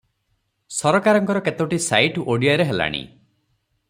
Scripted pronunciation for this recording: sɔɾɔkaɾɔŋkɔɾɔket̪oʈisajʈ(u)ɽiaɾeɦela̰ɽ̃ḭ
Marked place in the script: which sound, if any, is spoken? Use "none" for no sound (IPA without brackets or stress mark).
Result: o